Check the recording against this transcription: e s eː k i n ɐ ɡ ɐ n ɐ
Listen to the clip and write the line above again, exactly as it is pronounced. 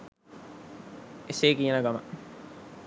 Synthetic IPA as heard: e s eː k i n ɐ ɡ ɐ m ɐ